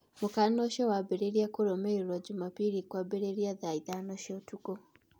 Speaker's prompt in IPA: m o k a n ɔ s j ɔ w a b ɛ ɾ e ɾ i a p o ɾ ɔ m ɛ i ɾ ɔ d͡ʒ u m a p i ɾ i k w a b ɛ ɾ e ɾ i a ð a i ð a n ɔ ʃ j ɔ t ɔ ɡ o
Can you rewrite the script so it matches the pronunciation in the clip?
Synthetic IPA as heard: m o k a n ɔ ʃ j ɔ w a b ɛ ɾ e ɾ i a k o ɾ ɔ m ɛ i ɾ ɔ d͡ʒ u m a p i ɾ i k w a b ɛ ɾ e ɾ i a ð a i ð a n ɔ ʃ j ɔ t u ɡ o